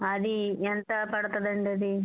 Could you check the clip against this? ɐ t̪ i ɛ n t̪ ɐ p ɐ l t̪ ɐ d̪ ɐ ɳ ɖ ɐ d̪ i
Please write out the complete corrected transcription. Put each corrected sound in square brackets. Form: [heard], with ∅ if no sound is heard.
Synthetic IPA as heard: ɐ [d̪] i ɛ n t̪ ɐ p ɐ [ɽ] t̪ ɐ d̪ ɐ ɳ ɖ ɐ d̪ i